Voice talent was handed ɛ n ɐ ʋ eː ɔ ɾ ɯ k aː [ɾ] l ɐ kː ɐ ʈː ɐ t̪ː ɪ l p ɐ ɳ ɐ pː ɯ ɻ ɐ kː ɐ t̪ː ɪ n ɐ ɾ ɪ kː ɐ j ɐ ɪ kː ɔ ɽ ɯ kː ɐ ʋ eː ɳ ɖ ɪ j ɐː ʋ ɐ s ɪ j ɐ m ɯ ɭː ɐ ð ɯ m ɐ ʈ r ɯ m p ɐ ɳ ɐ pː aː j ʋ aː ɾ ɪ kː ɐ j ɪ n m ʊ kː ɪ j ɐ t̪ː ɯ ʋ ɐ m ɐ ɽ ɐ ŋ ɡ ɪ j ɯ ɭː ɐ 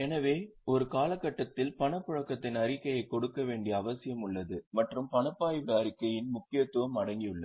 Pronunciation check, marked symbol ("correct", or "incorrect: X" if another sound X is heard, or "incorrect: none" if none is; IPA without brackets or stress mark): incorrect: none